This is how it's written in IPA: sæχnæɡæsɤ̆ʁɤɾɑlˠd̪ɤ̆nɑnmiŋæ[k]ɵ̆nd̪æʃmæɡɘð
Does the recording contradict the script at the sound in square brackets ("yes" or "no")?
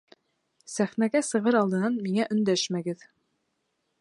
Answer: yes